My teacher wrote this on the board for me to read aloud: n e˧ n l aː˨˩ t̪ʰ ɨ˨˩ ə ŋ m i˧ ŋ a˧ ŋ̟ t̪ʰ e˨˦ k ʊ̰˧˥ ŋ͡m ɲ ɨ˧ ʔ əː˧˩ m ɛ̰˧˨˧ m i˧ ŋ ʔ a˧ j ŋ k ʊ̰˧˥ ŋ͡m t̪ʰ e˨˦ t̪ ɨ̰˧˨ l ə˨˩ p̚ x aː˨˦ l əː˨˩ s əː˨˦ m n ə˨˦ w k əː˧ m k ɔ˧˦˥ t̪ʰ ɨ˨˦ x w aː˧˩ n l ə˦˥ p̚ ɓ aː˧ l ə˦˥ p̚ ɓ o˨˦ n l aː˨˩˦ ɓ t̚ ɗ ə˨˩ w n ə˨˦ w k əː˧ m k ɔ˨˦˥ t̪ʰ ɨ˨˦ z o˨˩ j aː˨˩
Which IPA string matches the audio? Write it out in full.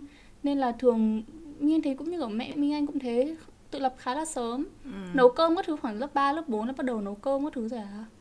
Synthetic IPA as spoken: n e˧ n l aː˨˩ t̪ʰ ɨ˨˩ ə ŋ m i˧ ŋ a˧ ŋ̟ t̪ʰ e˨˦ k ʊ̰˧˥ ŋ͡m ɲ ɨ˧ ʔ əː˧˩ m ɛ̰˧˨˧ m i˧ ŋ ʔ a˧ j ŋ k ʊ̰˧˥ ŋ͡m t̪ʰ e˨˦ t̪ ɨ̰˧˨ l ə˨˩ p̚ x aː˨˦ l aː˨˩ s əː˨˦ m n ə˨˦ w k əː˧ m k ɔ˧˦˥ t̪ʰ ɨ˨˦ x w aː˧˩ n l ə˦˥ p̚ ɓ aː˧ l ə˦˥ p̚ ɓ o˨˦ n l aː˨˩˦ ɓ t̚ ɗ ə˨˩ w n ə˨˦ w k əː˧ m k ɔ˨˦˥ t̪ʰ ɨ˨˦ z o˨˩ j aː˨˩